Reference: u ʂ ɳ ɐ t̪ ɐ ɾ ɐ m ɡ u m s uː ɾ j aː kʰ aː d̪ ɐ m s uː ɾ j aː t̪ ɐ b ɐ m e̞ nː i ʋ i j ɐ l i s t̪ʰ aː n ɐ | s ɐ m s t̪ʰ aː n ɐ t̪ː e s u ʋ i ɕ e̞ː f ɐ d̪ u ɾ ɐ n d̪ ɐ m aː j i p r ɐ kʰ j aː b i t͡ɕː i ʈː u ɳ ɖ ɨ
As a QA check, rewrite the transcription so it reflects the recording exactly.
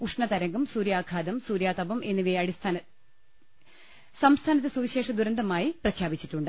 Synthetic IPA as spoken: u ʂ ɳ ɐ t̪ ɐ ɾ ɐ ŋ ɡ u m s uː ɾ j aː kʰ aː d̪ ɐ m s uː ɾ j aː t̪ ɐ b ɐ m e̞ nː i ʋ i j ɐ ɽ i s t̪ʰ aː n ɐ | s ɐ m s t̪ʰ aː n ɐ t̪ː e s u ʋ i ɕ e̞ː ʂ ɐ d̪ u ɾ ɐ n d̪ ɐ m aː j i p r ɐ kʰ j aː b i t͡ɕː i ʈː u ɳ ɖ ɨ